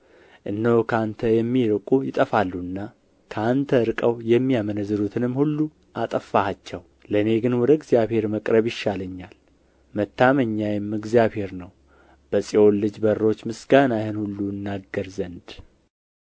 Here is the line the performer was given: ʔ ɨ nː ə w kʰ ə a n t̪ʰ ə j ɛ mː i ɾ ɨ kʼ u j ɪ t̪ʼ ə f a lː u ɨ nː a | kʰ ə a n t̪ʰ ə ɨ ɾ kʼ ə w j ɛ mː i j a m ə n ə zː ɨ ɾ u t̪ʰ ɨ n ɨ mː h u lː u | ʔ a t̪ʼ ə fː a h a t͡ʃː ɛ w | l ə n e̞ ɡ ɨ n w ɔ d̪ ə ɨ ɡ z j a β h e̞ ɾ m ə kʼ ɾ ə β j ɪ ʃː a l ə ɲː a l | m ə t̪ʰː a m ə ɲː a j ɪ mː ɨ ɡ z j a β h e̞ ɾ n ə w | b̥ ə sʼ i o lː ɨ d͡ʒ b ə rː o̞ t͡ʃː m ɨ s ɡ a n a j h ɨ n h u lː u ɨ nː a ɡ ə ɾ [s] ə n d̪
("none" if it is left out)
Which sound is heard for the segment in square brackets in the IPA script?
z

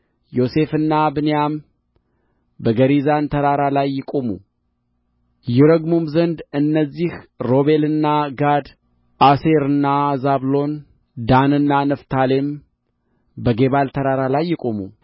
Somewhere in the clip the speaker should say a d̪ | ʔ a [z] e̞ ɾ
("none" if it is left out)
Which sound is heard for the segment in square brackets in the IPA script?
s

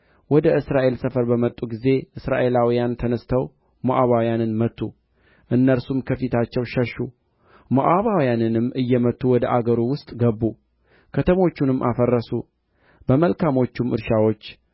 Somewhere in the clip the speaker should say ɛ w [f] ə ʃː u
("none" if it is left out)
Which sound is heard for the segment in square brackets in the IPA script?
ʃ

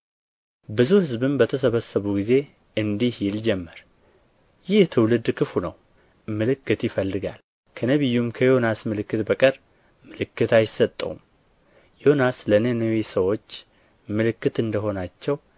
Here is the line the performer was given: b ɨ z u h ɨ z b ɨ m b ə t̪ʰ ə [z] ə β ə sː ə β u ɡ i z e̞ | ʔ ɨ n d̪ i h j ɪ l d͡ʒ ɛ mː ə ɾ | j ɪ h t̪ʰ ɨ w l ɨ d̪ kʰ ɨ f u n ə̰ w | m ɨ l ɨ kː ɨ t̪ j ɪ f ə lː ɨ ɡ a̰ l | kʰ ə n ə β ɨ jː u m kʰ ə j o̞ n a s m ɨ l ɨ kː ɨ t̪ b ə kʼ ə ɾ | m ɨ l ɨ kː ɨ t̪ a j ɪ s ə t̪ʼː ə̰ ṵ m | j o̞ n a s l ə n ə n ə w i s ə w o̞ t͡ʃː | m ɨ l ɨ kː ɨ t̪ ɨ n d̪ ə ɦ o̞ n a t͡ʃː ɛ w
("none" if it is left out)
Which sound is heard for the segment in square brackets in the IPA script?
s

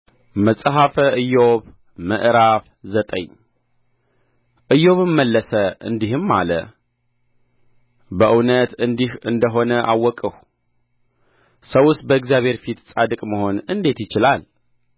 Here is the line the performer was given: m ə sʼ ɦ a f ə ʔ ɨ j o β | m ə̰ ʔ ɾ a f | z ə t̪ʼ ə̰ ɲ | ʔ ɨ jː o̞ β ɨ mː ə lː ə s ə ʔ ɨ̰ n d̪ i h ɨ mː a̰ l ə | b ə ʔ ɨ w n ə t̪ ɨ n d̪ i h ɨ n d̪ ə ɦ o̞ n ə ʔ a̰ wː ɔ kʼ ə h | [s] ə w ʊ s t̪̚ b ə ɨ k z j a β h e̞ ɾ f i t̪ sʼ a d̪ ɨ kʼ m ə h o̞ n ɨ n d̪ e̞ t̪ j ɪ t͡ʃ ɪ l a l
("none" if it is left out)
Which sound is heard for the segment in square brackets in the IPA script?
s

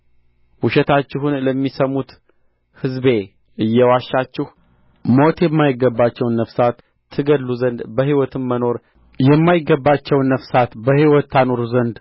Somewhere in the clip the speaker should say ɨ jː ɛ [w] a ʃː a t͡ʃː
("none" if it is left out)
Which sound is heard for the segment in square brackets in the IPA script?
w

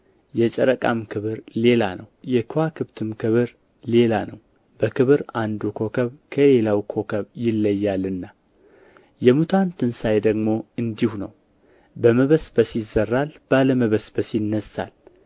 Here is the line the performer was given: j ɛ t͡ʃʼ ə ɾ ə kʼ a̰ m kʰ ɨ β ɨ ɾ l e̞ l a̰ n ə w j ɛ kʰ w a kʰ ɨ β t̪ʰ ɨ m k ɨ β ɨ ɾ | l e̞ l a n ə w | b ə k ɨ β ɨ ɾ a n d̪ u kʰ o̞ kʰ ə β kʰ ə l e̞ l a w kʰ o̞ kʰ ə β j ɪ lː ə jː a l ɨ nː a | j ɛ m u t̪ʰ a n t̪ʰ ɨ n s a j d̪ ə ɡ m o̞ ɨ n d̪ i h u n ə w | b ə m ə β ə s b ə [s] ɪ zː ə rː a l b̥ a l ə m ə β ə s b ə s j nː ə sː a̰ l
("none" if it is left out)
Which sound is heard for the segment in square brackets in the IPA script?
s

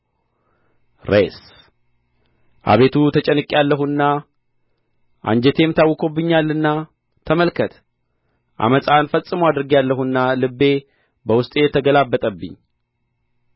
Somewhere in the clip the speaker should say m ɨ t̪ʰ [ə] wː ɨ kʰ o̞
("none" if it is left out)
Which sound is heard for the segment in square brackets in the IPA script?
a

